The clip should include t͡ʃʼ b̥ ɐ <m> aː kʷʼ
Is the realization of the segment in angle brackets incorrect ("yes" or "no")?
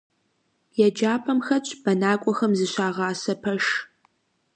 yes